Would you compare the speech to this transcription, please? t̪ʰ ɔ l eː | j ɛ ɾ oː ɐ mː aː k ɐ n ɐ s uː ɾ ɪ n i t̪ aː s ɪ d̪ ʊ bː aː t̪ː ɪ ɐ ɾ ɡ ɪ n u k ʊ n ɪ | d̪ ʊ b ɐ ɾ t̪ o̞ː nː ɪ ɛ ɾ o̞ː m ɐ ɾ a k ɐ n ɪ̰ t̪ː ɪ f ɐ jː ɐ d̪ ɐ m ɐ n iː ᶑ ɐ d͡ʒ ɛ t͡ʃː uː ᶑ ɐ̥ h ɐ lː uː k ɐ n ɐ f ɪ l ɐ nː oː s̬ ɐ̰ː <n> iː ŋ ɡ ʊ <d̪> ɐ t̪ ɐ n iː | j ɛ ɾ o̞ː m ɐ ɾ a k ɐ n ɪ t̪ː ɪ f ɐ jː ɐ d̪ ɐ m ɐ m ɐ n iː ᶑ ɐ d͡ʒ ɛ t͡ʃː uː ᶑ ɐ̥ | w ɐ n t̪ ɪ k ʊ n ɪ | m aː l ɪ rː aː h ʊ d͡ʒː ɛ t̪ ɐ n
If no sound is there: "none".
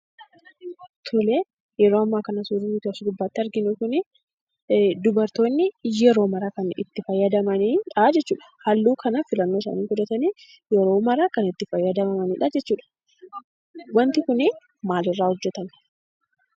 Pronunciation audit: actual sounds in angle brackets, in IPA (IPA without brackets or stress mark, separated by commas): n, d̪